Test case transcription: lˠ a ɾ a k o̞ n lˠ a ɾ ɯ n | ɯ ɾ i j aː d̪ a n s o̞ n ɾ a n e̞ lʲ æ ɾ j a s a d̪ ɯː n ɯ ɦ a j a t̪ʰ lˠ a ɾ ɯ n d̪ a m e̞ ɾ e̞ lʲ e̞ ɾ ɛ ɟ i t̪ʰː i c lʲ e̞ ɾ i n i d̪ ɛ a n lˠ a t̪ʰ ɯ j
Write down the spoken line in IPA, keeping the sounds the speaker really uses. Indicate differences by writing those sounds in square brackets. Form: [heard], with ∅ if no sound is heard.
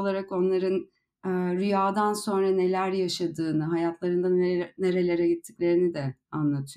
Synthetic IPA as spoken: lˠ a ɾ a k o̞ n lˠ a ɾ ɯ n | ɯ ɾ [y] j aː d̪ a n s o̞ n ɾ a n e̞ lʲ æ ɾ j a [ʃ] a d̪ ɯː n ɯ ɦ a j a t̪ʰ lˠ a ɾ ɯ n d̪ a [n] e̞ ɾ e̞ lʲ e̞ ɾ ɛ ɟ i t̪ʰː i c lʲ e̞ ɾ i n i d̪ ɛ a n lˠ a t̪ʰ ɯ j